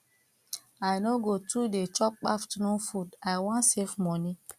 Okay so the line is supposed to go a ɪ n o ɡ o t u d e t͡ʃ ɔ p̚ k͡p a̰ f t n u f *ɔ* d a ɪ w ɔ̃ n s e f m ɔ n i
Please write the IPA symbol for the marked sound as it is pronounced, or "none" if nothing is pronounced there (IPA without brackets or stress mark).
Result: u